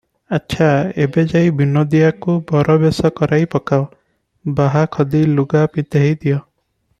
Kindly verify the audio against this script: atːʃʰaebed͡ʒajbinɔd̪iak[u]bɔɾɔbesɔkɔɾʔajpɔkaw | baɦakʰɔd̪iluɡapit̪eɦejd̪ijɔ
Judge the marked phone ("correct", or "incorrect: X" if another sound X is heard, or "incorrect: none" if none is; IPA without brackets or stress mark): correct